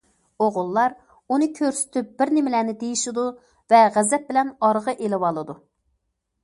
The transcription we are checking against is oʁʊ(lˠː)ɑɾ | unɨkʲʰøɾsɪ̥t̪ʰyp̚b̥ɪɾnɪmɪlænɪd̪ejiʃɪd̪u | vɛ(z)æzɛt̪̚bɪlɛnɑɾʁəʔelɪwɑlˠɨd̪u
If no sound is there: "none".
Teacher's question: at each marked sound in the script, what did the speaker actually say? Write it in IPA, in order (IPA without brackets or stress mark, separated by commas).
lˠː, ʁ